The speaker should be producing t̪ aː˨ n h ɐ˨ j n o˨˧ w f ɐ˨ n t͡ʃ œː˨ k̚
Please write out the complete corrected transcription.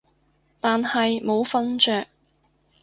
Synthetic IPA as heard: t̪ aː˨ n h ɐ˨ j m o˨˧ w f ɐ˥ n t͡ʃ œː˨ k̚